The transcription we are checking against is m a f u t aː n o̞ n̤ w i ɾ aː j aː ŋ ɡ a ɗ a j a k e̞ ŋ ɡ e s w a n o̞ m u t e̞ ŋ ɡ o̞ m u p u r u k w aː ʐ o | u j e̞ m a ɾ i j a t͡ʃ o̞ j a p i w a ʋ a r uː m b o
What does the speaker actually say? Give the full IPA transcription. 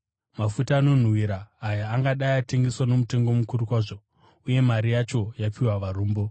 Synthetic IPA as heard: m a f u t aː n o̞ n̤ w i ɾ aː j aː ŋ ɡ a ɗ a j a t e̞ ŋ ɡ e s w a n o̞ m u t e̞ ŋ ɡ o̞ m u k u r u k w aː ʐ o | u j e̞ m a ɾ i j a t͡ʃ o̞ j a p i w a ʋ a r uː m b o